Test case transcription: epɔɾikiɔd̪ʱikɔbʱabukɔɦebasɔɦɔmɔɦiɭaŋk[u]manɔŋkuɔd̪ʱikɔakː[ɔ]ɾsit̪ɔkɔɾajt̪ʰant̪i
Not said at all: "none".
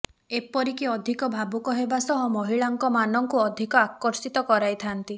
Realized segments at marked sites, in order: ɔ, ɔ

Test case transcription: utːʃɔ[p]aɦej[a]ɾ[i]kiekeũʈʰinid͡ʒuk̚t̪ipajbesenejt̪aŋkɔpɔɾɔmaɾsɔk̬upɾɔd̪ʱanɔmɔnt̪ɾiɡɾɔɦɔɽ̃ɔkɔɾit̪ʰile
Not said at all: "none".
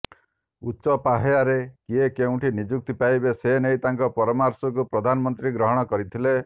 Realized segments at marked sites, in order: p, a, e

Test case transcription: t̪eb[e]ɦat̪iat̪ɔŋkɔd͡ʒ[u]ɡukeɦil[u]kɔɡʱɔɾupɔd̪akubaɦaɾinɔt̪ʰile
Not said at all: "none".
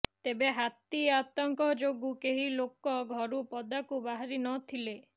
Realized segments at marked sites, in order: e, o, o

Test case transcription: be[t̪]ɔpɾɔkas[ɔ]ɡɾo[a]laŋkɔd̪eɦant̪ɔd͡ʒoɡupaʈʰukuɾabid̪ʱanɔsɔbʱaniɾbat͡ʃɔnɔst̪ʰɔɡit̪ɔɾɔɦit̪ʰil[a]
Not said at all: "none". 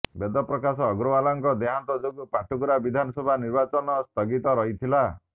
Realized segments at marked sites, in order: d̪, ɔː, a, a

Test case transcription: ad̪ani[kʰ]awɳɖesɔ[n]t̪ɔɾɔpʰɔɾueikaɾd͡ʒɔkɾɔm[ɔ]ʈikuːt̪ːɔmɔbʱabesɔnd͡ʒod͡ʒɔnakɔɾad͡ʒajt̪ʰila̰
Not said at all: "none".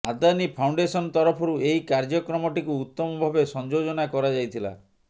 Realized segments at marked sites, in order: pʰ, n, ɔ

